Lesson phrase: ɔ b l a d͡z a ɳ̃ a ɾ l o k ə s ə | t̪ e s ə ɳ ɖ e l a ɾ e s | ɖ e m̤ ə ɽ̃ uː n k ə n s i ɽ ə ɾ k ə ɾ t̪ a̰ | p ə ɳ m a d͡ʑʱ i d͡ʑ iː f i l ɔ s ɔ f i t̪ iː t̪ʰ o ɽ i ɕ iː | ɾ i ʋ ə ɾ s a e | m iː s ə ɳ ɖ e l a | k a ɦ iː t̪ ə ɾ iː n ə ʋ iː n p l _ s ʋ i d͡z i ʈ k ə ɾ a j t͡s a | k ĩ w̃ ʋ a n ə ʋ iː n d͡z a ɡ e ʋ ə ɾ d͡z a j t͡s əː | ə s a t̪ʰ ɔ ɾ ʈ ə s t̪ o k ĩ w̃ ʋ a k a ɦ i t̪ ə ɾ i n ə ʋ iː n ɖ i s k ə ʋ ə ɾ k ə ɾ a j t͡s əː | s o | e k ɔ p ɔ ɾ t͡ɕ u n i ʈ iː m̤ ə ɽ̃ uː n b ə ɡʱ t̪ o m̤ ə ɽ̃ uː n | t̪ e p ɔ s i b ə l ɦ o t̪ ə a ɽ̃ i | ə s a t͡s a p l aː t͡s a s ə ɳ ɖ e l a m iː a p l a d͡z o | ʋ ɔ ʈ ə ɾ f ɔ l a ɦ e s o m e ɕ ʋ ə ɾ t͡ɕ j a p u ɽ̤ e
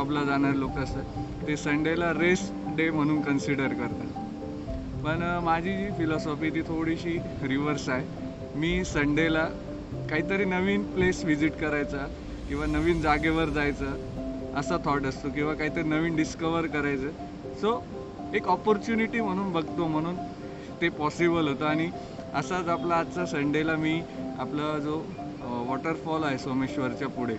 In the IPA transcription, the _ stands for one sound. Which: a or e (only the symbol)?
e